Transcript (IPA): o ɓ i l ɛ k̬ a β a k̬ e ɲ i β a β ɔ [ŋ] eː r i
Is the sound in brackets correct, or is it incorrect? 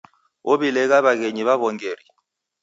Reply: correct